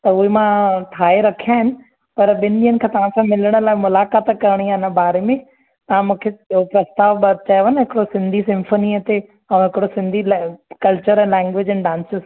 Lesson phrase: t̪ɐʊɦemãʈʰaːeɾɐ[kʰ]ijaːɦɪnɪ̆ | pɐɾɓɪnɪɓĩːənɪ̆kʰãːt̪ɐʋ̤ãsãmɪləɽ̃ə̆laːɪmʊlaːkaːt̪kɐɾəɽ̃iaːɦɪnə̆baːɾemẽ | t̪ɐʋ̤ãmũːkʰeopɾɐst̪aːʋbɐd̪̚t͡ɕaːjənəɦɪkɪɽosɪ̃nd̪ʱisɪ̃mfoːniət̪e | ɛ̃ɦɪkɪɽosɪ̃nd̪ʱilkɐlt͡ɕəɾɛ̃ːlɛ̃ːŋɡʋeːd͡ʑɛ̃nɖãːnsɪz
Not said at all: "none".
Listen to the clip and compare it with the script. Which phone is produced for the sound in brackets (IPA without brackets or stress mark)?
kʰ